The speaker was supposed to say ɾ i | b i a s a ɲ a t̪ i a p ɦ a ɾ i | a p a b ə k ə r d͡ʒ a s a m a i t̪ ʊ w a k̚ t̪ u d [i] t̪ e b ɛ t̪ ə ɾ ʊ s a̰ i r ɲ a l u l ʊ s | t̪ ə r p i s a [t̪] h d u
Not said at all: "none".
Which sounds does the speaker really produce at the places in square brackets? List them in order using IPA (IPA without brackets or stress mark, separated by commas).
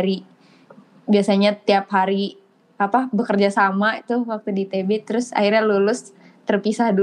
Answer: i, none